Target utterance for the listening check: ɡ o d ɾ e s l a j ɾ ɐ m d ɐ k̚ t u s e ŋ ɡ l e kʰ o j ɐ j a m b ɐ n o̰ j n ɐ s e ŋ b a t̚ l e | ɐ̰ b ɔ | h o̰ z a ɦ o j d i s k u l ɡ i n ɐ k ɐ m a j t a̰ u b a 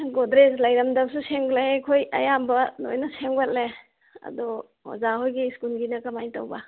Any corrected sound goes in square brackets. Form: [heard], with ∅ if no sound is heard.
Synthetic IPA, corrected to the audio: ɡ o d ɾ e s l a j ɾ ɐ m d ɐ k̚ [s] u s e ŋ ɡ l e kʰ o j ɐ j a m b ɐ n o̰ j n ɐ s e ŋ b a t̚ l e | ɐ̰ [d] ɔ | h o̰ z a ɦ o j [ɡ] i s k u l ɡ i n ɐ k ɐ m a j t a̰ [w] b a

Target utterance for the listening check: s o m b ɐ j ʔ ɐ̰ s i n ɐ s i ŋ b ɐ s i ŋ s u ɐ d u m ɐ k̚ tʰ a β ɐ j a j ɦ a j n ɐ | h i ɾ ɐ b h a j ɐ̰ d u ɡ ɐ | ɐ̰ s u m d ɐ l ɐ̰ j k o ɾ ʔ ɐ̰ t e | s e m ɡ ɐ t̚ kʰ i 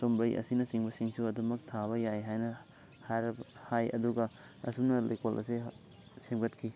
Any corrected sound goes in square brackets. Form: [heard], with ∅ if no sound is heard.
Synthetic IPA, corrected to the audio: s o m b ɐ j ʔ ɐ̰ s i n ɐ s i ŋ b ɐ s i ŋ s u ɐ d u m ɐ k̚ tʰ a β ɐ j a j ɦ a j n ɐ | h [a] ɾ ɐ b h a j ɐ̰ d u ɡ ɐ | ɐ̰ s u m [n] ɐ l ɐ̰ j k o [l] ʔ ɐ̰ [s] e | s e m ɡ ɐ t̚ kʰ i

